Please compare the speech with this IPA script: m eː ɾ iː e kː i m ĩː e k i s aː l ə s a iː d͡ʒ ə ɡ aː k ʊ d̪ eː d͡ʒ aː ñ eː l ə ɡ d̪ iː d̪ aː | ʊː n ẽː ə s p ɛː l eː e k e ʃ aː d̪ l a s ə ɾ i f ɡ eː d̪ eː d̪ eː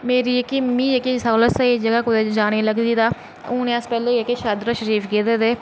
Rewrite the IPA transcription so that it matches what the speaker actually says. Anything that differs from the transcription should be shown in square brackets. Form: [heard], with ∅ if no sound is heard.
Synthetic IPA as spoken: m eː ɾ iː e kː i m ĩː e k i s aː l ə s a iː d͡ʒ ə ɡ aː k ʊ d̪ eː d͡ʒ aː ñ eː l ə ɡ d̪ iː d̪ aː | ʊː n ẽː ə s p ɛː l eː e k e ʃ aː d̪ [ɾ] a [ʃ] ə ɾ [iː] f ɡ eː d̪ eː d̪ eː